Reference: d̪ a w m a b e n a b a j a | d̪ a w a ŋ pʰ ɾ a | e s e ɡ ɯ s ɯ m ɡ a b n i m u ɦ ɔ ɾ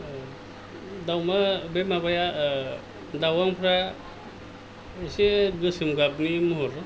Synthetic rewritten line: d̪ a w m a b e m a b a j a | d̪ a w a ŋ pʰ ɾ a | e s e ɡ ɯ s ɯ m ɡ a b n i m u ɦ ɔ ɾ